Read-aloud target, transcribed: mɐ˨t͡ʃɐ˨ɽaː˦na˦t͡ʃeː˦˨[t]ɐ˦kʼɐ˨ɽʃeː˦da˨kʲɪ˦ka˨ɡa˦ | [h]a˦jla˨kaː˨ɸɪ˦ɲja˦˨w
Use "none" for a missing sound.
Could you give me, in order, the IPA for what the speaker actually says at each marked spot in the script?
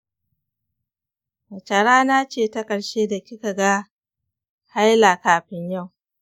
t, h

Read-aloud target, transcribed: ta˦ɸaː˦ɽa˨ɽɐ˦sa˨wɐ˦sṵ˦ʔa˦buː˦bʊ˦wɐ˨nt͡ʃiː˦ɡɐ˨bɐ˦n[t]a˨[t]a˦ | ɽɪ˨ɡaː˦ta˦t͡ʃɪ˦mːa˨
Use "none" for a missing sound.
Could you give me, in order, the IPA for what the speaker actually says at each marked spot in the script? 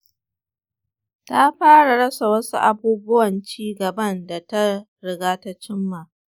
d, t

